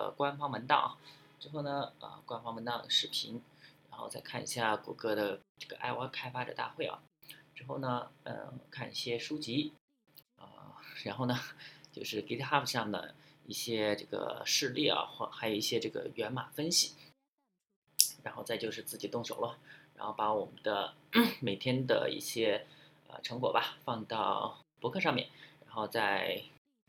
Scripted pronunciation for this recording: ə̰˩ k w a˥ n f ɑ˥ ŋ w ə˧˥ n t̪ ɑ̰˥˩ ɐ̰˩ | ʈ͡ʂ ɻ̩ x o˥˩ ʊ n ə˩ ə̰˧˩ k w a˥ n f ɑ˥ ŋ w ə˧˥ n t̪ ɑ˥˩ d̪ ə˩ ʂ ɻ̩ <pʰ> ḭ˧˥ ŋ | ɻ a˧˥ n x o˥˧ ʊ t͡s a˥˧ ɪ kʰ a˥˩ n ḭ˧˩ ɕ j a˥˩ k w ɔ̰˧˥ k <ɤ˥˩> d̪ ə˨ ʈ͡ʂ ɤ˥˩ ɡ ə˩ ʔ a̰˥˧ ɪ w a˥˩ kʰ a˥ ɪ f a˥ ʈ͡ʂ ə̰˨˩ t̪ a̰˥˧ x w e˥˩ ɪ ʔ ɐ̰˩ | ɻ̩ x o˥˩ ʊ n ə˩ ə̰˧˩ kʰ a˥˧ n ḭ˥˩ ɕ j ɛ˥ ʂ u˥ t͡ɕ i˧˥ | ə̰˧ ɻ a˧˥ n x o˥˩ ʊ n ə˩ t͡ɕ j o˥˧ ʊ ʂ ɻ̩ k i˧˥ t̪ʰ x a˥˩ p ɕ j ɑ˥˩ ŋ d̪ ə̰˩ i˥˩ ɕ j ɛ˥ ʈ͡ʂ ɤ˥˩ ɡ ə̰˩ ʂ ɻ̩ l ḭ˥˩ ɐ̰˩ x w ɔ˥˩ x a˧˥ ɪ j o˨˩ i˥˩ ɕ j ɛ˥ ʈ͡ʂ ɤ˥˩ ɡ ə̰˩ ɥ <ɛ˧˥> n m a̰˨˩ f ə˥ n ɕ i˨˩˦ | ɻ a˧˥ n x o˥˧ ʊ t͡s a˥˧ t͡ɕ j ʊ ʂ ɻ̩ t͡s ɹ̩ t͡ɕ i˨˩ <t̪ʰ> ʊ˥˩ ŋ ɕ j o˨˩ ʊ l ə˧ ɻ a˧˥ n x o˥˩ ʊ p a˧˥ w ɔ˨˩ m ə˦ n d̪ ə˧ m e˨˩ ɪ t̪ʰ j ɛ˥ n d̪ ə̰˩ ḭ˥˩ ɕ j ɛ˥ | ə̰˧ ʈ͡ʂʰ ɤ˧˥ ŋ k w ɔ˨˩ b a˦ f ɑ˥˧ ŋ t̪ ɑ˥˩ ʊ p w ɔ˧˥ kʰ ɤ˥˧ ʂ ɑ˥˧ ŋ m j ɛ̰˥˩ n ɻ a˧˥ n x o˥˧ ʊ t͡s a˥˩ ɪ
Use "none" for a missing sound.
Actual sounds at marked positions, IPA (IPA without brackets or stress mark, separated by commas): pʰ, ɤ˥, ɛ˧˥, t̪